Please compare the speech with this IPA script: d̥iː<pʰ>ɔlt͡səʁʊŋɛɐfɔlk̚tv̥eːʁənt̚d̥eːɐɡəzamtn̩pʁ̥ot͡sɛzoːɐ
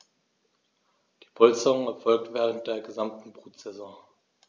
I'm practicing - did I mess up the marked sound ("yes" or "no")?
no